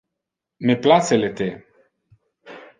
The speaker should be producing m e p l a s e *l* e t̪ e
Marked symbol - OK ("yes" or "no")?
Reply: yes